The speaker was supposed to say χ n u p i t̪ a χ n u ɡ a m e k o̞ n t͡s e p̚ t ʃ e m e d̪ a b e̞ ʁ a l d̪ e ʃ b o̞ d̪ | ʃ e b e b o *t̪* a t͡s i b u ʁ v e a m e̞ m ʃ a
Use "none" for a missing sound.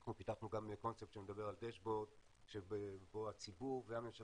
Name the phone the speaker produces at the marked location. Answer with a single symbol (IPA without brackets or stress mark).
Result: none